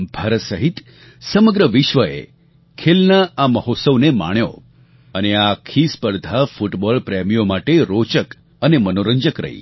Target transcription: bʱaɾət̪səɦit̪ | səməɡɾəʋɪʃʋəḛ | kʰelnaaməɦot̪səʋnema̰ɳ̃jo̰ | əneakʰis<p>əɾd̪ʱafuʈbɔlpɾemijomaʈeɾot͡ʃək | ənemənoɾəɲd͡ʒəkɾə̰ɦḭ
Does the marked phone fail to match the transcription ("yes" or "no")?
no